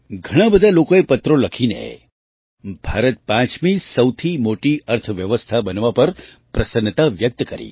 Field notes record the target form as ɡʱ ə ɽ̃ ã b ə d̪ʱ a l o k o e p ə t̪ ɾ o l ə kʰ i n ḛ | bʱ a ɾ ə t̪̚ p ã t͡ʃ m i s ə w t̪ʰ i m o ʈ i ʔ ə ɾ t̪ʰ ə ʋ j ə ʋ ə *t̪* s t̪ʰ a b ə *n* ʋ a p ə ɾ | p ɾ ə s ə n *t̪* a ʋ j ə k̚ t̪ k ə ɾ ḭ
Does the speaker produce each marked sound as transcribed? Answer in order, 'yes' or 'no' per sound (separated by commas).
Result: no, yes, yes